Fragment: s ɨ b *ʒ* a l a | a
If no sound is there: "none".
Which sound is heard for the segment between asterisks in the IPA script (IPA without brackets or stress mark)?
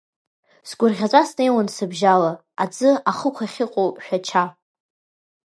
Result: ʒ